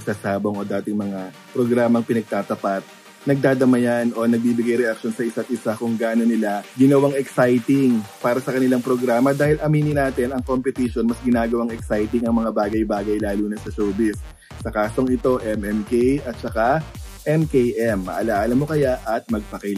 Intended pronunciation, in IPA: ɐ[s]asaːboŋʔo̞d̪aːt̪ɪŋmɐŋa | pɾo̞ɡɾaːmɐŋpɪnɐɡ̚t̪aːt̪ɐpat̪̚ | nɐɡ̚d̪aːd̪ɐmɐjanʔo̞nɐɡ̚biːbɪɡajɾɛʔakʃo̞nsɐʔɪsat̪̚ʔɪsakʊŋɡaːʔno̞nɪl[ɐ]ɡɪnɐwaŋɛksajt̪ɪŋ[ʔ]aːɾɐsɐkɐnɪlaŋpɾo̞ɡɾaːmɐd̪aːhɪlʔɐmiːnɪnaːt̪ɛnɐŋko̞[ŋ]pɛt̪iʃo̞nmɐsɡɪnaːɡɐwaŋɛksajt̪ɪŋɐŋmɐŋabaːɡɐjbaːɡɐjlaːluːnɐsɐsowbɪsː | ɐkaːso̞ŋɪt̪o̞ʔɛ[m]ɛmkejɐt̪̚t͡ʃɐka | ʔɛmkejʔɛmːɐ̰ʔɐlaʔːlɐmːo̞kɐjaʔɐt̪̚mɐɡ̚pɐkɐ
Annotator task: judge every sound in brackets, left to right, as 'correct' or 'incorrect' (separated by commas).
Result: correct, incorrect, incorrect, incorrect, correct